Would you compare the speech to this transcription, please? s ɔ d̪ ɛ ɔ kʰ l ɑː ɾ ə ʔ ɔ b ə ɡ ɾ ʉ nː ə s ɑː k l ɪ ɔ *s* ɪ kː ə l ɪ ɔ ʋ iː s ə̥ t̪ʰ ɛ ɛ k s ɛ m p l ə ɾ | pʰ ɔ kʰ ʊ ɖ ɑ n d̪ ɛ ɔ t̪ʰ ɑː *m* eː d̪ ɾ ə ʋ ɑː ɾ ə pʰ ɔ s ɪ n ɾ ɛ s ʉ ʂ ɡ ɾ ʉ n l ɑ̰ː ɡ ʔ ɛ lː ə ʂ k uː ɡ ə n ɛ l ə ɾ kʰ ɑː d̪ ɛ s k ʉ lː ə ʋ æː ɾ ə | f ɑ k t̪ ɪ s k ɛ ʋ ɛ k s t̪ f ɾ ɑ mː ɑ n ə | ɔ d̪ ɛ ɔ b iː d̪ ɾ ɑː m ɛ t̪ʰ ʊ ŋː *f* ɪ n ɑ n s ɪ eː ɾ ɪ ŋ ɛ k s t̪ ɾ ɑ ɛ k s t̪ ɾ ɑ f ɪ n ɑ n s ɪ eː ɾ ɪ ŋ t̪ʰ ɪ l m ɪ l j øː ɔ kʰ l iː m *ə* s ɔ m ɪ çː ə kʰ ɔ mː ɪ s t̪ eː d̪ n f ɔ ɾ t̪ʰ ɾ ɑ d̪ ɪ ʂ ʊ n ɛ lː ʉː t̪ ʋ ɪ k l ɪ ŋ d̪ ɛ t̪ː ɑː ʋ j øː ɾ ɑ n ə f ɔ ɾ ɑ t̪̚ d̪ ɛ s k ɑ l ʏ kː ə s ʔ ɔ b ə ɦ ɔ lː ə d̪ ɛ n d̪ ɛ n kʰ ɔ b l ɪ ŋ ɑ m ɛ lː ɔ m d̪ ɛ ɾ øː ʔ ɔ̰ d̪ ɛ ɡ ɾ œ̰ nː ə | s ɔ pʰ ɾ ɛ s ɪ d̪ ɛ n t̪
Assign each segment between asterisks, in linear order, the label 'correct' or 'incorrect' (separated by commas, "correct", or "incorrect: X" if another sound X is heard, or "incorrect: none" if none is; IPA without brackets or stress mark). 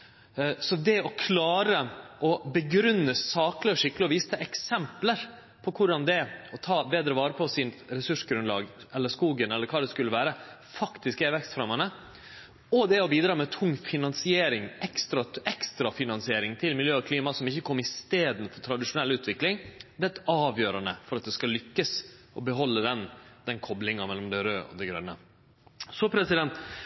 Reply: incorrect: ʂ, incorrect: b, correct, incorrect: ɑ